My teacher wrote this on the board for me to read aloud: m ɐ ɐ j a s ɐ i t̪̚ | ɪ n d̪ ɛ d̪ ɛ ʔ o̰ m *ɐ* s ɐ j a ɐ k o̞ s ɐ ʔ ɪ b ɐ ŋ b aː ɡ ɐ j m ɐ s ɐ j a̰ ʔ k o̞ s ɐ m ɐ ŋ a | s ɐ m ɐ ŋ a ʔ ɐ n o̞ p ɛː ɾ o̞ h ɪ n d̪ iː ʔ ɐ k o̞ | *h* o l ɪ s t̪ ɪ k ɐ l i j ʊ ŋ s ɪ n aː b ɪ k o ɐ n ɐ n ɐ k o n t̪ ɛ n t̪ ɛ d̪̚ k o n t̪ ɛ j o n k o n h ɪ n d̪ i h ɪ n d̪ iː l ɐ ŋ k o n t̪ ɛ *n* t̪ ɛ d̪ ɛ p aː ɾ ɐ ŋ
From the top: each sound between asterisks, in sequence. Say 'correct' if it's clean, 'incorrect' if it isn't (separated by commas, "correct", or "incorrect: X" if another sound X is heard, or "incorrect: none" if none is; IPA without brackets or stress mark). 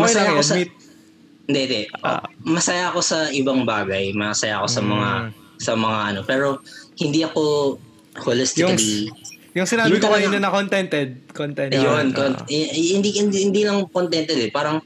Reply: correct, correct, correct